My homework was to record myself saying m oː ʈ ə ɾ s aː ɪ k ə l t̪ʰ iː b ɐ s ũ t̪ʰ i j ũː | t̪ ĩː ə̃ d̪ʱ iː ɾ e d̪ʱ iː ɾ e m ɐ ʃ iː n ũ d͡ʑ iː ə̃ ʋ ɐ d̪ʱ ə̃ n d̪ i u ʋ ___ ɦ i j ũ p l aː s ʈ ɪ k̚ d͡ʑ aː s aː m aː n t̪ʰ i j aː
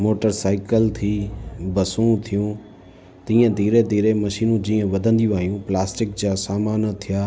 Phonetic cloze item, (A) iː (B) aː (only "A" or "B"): B